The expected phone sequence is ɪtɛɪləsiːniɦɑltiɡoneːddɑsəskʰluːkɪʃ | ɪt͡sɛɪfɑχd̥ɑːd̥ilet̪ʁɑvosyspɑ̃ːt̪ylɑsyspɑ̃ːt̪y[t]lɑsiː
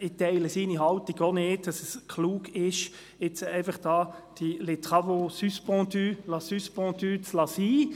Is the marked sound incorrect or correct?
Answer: incorrect